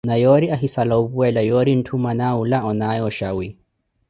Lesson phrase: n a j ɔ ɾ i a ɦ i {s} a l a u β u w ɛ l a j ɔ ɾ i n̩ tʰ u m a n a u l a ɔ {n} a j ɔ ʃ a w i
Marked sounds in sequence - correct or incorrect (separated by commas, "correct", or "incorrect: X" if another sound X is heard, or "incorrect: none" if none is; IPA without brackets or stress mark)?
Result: correct, correct